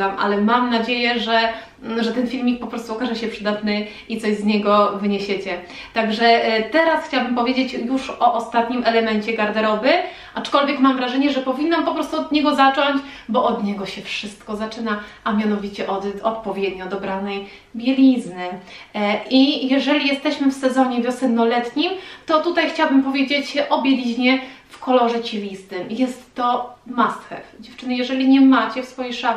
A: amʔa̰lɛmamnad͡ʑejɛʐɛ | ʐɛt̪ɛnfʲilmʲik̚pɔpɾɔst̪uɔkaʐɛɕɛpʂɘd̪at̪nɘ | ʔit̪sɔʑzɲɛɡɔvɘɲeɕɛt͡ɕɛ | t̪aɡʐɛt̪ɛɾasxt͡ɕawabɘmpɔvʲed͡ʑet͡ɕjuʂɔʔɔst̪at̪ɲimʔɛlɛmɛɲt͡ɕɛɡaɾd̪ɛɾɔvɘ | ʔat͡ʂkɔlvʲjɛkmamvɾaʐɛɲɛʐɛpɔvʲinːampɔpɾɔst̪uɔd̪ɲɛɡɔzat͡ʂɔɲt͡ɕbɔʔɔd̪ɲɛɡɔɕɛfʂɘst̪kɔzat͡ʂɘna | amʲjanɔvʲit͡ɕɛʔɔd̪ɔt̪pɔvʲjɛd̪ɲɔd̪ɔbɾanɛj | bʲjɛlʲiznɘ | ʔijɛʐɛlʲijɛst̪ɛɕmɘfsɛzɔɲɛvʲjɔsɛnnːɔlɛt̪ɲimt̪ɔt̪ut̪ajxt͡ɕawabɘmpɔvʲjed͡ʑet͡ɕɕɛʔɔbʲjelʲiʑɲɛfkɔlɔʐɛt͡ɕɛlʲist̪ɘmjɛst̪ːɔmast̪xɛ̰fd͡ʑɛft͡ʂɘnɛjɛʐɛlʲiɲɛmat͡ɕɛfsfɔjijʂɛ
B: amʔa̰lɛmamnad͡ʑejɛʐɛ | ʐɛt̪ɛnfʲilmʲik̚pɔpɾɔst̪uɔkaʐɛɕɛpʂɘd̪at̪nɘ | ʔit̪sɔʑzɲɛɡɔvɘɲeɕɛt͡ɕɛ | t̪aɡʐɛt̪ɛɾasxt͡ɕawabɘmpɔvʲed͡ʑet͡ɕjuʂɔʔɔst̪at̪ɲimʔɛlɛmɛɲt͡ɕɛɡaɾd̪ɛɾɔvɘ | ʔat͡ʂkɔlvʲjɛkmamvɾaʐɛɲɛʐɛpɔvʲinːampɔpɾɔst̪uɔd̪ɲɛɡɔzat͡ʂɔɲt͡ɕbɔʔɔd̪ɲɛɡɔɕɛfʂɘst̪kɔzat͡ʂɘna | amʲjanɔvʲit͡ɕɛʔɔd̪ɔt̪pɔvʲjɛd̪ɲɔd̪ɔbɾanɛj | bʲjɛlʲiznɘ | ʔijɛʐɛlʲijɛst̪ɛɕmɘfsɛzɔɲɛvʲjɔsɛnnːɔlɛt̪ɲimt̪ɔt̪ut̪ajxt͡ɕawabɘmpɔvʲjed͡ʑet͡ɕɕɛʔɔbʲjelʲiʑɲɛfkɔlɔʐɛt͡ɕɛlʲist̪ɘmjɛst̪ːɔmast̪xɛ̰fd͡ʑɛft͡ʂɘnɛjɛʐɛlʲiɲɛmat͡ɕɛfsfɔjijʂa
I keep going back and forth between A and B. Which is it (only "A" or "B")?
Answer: B